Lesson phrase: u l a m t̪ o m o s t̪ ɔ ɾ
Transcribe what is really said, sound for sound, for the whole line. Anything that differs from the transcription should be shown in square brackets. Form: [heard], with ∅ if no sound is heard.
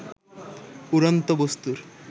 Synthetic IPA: u [ɾ] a [n] t̪ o [b] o s t̪ [u] ɾ

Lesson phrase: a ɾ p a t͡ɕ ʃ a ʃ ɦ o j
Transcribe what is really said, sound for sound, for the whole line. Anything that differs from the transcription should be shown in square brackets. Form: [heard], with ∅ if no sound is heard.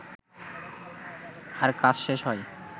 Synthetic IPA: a ɾ [k] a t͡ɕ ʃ [e] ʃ ɦ [ɔ] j

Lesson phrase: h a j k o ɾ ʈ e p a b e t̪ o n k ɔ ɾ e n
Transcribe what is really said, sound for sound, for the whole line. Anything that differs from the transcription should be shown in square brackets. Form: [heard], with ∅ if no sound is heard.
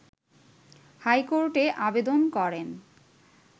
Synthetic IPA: h a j k o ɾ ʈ e [ʔ] a b e [d̪] o n k ɔ ɾ e n

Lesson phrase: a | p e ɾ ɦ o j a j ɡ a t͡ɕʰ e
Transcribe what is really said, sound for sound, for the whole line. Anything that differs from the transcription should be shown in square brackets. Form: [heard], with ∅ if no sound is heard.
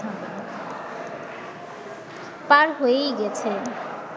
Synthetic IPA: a | p [a] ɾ ɦ o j [e] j ɡ [ɛ] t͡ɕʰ e

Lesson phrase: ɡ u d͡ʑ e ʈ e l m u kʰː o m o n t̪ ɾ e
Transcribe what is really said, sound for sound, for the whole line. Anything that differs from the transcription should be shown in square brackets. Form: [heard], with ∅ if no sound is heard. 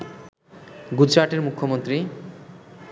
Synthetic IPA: ɡ u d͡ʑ [a] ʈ e [ɾ] m u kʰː o m o n t̪ ɾ [i]

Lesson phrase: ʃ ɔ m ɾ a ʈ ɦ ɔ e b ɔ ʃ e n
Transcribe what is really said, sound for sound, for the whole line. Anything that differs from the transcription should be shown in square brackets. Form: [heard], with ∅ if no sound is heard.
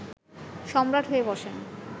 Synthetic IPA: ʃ ɔ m ɾ a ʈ ɦ [o] e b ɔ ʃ e n

